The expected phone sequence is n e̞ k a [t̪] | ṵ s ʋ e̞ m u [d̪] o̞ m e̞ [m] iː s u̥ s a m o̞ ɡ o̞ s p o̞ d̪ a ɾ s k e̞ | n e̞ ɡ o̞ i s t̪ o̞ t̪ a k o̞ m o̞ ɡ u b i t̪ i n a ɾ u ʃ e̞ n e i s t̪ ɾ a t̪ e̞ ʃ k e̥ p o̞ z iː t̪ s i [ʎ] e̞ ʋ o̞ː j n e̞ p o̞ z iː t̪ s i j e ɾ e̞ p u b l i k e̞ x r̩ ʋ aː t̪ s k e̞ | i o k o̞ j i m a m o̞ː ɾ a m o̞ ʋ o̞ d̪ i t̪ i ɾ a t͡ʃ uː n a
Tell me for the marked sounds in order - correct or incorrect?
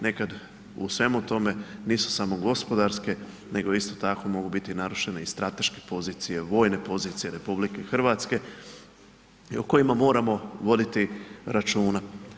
incorrect: d̪, incorrect: t̪, incorrect: n, incorrect: j

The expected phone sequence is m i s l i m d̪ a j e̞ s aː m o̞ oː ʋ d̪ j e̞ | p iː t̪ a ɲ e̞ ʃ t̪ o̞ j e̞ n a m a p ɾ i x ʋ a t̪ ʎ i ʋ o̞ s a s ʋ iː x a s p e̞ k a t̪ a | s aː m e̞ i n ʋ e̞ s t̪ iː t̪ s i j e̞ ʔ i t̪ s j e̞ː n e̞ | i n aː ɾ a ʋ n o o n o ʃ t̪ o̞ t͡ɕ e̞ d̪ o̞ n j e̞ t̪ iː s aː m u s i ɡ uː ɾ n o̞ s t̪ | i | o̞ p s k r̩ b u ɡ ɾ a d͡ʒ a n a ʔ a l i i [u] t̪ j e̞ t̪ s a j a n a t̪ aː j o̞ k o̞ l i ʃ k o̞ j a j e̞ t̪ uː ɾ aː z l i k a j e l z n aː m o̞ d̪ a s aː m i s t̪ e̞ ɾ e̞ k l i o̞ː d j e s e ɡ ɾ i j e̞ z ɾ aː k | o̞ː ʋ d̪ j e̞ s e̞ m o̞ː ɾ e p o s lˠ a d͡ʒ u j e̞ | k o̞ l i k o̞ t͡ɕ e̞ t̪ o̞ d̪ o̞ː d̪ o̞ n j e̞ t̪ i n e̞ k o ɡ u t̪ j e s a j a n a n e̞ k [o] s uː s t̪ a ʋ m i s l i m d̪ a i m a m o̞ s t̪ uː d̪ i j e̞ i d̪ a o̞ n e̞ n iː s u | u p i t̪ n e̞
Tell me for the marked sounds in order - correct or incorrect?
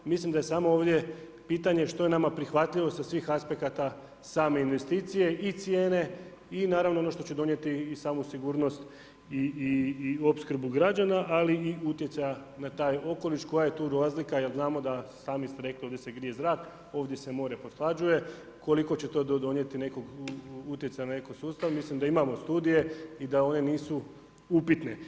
correct, correct

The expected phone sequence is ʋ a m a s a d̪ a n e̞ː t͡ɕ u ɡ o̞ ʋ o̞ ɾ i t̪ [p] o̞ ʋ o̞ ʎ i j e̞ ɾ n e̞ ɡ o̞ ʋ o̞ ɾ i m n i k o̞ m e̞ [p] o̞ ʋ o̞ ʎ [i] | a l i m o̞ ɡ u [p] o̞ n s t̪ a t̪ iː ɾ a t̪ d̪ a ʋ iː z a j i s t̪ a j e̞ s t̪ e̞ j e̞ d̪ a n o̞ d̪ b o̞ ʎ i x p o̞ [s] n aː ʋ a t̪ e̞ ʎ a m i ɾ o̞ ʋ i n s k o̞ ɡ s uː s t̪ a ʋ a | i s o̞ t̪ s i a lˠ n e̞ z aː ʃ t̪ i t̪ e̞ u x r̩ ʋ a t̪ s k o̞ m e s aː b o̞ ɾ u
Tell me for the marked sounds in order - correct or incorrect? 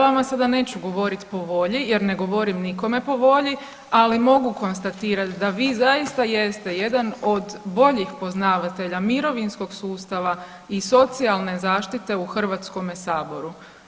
correct, correct, correct, incorrect: k, incorrect: z

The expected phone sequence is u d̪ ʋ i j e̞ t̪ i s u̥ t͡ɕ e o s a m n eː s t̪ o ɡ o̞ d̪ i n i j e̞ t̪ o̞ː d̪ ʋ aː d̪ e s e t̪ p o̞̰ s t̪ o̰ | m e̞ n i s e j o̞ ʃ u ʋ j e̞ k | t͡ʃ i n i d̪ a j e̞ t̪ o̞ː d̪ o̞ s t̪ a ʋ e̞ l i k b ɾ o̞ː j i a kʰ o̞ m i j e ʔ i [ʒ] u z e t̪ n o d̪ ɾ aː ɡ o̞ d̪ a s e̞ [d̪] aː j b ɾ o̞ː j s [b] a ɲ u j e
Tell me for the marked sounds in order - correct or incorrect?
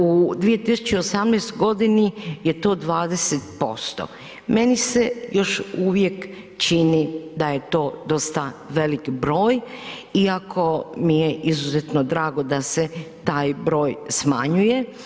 incorrect: z, incorrect: t̪, incorrect: m

